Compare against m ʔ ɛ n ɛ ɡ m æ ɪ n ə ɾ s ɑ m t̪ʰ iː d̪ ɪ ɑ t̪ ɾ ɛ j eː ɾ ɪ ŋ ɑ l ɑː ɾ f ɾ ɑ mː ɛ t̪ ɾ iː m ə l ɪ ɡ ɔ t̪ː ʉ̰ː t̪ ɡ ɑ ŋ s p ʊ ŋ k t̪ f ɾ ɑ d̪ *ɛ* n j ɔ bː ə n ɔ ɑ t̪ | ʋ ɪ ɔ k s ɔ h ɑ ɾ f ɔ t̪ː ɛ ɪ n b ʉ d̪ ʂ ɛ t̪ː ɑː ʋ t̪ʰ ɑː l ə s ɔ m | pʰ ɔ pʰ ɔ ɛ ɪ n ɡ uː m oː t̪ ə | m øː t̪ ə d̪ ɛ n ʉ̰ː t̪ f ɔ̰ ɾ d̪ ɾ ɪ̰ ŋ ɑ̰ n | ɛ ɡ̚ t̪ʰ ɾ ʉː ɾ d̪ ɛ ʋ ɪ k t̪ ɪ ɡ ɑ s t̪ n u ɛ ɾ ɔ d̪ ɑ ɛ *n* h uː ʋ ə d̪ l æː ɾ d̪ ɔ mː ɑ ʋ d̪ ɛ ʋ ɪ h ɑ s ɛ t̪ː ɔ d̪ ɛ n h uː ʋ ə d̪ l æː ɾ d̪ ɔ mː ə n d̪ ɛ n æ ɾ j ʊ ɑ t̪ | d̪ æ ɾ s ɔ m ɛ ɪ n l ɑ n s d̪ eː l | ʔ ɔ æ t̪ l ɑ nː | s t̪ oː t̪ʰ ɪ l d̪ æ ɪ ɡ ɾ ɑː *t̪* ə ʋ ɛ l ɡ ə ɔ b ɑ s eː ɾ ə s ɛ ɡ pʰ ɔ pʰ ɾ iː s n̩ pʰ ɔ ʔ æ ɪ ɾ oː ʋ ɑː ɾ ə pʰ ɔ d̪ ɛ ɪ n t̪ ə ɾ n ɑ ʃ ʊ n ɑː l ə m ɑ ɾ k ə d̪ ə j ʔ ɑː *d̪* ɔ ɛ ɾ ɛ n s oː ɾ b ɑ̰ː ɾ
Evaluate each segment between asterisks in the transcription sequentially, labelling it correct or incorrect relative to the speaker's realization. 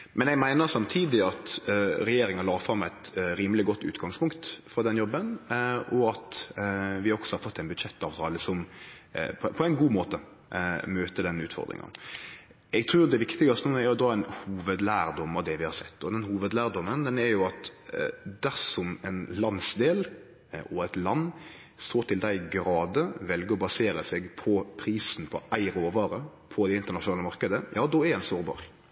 correct, correct, incorrect: d̪, correct

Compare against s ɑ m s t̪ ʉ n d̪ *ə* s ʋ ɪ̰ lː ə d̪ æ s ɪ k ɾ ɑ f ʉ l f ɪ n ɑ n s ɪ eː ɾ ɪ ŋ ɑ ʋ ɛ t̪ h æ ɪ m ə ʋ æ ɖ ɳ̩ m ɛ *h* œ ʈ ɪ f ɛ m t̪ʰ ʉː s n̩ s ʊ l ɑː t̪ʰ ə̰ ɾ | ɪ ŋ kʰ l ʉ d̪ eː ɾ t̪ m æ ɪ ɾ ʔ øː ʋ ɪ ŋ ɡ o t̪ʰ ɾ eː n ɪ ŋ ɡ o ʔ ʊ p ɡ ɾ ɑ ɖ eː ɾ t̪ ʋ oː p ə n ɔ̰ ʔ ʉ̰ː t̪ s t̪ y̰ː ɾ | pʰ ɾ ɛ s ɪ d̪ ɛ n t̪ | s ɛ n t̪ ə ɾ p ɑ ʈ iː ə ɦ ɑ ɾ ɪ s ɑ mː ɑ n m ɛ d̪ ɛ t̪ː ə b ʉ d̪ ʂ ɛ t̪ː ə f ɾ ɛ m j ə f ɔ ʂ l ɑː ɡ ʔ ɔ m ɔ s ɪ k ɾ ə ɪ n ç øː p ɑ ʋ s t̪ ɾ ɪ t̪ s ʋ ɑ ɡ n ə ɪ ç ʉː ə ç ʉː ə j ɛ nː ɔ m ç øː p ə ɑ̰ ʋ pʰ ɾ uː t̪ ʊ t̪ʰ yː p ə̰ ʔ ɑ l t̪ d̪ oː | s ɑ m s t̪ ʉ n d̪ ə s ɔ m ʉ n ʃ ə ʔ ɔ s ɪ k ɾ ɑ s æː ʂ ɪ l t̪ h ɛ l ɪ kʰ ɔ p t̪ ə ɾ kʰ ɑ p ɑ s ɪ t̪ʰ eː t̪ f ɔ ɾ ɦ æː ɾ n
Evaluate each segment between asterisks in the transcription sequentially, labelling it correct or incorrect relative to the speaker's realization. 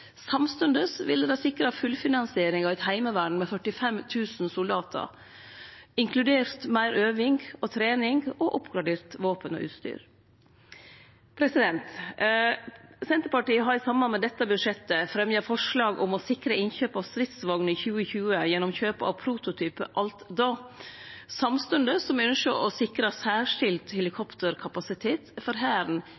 correct, incorrect: f

